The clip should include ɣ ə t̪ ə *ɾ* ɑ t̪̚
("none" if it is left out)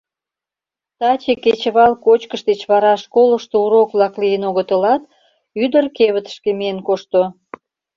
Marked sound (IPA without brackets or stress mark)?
l